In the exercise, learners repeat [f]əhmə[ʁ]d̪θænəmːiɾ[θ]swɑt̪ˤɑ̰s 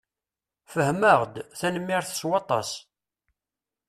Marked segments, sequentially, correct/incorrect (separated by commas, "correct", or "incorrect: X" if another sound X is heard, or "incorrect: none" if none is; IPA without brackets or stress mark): correct, correct, correct